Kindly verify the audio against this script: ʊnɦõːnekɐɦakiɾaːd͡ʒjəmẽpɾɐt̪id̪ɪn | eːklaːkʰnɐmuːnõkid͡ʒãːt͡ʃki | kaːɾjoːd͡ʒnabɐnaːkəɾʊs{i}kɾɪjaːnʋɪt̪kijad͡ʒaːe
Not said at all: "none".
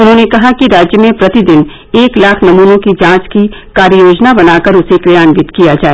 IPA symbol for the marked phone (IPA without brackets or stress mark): e